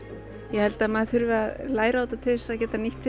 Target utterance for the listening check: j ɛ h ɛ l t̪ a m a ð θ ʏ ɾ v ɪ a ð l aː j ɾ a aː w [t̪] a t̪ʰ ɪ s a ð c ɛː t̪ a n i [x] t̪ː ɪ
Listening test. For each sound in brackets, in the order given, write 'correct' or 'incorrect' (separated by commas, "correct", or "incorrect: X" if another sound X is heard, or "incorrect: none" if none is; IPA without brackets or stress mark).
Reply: correct, incorrect: h